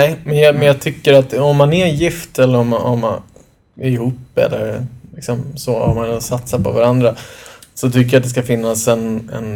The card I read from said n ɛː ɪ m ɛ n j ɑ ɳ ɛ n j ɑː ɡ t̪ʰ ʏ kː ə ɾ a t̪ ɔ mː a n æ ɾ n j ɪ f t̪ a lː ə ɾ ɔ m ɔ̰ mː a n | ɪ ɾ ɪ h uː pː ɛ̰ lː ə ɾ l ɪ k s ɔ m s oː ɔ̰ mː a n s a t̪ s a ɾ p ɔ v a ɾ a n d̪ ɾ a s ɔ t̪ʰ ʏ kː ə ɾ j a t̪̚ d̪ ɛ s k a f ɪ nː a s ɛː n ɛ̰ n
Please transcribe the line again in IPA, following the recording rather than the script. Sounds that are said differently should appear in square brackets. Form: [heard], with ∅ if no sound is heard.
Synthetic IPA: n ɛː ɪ m ɛ n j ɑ [m] ɛ n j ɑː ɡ t̪ʰ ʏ kː ə ɾ a t̪ ɔ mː a n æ ɾ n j ɪ f t̪ [ɛ] lː ə ɾ ɔ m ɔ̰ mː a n | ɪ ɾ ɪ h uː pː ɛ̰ lː ə ɾ l ɪ k s ɔ m s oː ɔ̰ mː a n s a t̪ s a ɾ p ɔ v a ɾ a n d̪ ɾ a s ɔ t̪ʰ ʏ kː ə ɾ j a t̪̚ d̪ ɛ s k a f ɪ nː a s [ɛ] n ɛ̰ n